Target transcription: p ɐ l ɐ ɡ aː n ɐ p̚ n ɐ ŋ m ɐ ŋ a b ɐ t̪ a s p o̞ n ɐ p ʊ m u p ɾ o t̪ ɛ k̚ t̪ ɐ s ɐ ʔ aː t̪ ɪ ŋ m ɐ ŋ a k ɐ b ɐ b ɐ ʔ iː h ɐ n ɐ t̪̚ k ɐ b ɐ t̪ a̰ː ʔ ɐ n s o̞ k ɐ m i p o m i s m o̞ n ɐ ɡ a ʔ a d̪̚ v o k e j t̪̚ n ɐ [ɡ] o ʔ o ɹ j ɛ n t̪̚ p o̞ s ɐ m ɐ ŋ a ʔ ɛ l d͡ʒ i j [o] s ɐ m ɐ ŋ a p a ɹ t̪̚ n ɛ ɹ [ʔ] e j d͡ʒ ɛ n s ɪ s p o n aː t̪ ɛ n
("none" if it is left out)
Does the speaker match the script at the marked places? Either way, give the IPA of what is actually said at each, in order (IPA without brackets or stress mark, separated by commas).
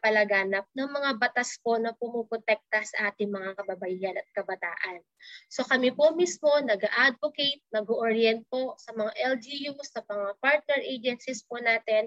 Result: ɡ, u, ʔ